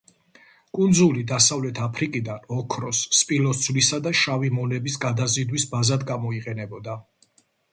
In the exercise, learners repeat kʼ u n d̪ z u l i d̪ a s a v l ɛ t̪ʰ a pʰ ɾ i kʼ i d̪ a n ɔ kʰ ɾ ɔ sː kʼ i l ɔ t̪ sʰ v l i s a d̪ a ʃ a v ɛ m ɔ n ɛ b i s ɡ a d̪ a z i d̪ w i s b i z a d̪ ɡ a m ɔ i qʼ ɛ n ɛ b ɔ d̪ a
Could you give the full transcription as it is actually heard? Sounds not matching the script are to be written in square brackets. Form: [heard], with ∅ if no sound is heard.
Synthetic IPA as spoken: kʼ u n d̪ z u l i d̪ a s a v l ɛ t̪ʰ a pʰ ɾ i kʼ i d̪ a n ɔ kʰ ɾ ɔ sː [pʼ] i l ɔ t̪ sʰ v l i s a d̪ a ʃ a v [i] m ɔ n ɛ b i s ɡ a d̪ a z i d̪ w i s b [a] z a d̪ ɡ a m ɔ i qʼ ɛ n ɛ b ɔ d̪ a